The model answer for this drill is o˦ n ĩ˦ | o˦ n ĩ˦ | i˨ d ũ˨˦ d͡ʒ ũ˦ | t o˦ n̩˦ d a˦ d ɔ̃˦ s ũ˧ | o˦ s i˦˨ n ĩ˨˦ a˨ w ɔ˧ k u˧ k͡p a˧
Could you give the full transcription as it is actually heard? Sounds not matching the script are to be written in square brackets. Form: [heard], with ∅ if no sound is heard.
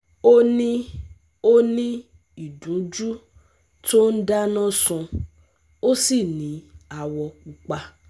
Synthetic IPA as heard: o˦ n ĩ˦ | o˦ n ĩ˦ | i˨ d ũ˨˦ d͡ʒ [u˦] | t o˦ n̩˦ d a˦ [n] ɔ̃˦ s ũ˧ | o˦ s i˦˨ n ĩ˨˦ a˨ w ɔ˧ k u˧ k͡p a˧